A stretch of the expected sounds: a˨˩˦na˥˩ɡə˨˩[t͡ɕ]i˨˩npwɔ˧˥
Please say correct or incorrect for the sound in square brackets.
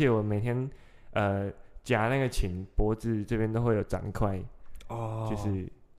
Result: incorrect